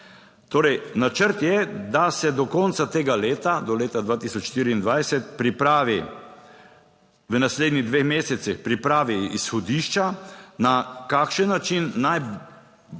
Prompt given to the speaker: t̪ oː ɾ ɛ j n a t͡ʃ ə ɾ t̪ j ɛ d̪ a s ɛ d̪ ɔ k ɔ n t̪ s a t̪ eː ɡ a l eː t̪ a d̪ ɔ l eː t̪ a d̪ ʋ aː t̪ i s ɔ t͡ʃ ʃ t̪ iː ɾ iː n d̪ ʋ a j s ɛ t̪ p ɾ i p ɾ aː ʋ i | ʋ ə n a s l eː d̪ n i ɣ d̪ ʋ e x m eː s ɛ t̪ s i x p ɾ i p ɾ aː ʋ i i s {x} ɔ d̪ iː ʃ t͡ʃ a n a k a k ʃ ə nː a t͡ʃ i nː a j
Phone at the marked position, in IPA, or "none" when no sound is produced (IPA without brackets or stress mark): x